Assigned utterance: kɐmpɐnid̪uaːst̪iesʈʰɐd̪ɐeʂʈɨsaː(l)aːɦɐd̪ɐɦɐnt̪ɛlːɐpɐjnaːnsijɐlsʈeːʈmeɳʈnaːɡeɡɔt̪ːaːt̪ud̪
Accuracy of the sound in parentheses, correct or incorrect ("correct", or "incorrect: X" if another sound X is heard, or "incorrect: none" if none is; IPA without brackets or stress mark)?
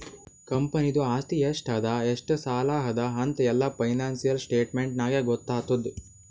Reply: correct